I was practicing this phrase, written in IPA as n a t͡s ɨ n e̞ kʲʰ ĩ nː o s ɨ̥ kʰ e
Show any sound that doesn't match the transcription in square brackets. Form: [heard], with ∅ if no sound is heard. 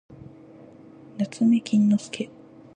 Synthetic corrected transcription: n a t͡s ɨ [m] e̞ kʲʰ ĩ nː o s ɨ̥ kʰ e